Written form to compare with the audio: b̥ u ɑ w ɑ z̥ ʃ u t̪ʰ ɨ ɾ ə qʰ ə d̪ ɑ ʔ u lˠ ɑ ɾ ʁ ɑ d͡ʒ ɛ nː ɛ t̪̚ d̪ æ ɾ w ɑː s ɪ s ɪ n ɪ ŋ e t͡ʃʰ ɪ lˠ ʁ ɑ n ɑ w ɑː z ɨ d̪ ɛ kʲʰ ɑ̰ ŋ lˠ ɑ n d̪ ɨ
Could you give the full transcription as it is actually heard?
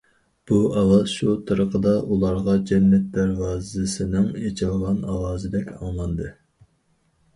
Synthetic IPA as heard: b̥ u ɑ w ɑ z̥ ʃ u t̪ʰ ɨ ɾ ə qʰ ə d̪ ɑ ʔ u lˠ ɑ ɾ ʁ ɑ d͡ʒ ɛ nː ɛ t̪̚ d̪ æ ɾ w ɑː z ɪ s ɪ n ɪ ŋ e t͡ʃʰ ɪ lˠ ʁ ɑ n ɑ w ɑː z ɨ d̪ ɛ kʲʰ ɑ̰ ŋ lˠ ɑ n d̪ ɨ